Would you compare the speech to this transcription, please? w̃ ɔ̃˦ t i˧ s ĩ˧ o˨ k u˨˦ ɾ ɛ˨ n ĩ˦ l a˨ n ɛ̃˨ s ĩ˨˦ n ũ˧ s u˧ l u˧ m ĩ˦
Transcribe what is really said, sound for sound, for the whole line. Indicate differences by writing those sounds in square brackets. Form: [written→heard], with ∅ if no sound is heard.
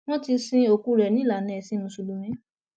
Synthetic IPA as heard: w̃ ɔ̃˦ t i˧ s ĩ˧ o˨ k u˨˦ ɾ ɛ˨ n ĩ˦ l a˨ n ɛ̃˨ s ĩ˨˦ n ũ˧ s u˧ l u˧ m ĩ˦

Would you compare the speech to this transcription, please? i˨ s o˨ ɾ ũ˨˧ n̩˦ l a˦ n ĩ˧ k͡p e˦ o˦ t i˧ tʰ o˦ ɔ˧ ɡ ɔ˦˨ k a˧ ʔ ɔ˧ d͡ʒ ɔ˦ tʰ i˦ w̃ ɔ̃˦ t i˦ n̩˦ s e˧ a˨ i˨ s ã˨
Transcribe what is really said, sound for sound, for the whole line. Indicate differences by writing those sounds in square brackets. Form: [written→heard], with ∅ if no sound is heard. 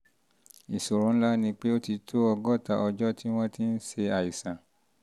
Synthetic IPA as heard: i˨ s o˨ ɾ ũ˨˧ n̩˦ l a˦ n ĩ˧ k͡p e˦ o˦ t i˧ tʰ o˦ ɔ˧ ɡ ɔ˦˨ [k→t] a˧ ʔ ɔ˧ d͡ʒ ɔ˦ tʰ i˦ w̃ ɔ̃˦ t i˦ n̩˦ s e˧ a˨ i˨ s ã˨

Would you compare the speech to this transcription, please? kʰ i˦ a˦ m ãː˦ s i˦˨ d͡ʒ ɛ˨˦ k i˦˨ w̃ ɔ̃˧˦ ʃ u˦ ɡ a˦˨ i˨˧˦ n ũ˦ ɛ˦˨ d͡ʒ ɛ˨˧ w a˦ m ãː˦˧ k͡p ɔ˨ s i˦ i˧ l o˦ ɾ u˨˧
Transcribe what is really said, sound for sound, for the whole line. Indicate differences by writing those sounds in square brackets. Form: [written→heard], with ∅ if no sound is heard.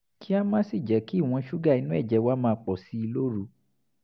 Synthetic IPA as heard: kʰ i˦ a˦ m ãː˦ s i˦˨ d͡ʒ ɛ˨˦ k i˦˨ w̃ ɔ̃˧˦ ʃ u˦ ɡ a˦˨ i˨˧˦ n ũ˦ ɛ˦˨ d͡ʒ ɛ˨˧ w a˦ m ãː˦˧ k͡p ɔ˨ s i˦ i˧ l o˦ ɾ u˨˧

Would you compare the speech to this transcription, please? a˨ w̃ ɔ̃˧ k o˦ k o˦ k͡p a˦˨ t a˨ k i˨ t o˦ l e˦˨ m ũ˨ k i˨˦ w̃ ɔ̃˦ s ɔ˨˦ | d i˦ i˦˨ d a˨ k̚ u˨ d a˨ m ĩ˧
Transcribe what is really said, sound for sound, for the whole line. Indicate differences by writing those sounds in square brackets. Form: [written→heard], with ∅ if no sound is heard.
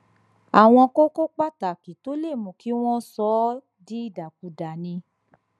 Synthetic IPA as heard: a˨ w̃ ɔ̃˧ k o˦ k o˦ k͡p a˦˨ t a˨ k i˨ t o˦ l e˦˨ m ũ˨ k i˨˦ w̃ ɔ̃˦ s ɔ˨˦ | d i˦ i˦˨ d a˨ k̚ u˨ d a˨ [m→n] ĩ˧

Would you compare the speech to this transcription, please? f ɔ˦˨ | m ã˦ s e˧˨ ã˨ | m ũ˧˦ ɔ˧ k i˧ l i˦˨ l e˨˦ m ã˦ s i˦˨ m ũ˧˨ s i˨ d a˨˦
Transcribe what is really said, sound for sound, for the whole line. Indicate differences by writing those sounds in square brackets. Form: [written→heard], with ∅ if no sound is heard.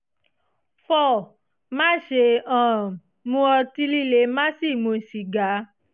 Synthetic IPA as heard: f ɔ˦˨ | m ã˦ [s→ʃ] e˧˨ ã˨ | m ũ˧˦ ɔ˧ [k→t] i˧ l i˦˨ l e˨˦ m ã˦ s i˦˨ m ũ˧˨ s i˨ [d→ɡ] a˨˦

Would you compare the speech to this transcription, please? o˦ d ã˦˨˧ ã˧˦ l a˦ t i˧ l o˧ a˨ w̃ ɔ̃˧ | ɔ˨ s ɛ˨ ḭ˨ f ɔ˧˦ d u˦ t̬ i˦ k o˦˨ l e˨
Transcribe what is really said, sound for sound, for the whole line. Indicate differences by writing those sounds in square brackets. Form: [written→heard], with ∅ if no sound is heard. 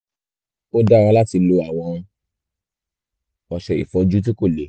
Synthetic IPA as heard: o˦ d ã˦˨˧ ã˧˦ l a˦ t i˧ l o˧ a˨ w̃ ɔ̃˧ | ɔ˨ [s→ʃ] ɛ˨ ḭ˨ f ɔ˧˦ [d→d͡ʒ] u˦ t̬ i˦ k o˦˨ l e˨

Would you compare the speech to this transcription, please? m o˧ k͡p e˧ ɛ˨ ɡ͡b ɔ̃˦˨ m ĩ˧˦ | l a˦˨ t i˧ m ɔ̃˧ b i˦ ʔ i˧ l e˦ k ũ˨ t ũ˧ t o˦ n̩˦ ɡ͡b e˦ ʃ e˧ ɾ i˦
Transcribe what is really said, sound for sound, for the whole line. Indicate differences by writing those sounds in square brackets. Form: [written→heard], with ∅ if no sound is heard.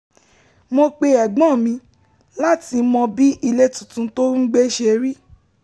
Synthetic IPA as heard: m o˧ k͡p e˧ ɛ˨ ɡ͡b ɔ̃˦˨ m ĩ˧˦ | l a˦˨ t i˧ m ɔ̃˧ b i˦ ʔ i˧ l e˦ [k→t] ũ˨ t ũ˧ t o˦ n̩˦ ɡ͡b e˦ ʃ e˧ ɾ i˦

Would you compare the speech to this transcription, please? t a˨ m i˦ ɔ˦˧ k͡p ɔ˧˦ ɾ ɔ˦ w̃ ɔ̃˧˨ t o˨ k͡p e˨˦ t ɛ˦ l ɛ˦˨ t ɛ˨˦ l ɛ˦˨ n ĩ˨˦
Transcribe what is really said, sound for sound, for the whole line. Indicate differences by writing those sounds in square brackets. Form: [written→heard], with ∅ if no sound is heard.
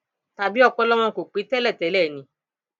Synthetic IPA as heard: t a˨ [m→b] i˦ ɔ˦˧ k͡p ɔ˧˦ [ɾ→l] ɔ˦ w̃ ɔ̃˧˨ [t→k] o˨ k͡p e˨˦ t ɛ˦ l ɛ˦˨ t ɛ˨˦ l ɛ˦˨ n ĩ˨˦

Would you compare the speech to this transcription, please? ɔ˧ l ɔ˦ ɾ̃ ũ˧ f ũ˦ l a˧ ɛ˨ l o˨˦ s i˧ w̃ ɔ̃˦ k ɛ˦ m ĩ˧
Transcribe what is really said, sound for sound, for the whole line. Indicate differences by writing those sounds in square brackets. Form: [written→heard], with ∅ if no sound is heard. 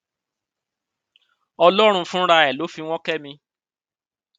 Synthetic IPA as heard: ɔ˧ l ɔ˦ ɾ̃ ũ˧ f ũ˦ [l→ɾ] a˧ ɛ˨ l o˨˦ [s→f] i˧ w̃ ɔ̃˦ k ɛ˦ m ĩ˧

